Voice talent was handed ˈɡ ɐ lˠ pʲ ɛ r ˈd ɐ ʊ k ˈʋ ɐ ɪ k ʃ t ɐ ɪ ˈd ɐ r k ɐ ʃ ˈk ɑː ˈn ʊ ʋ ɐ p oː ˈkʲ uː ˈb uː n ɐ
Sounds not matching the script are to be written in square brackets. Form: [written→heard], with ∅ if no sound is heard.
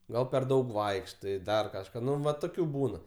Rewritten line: ˈɡ ɐ lˠ pʲ ɛ r ˈd ɐ ʊ k ˈʋ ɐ ɪ k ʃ t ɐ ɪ ˈd ɐ r k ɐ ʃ ˈk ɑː ˈn ʊ ʋ ɐ [p→t] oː ˈkʲ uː ˈb uː n ɐ